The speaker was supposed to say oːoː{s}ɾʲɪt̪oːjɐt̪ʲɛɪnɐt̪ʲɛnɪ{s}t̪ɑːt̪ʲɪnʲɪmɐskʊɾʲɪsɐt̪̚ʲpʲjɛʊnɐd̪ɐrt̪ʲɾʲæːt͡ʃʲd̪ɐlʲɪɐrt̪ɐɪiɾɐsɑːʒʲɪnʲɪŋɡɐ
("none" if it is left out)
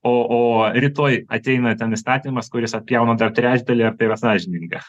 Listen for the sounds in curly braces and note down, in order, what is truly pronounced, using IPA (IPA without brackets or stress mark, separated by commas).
none, s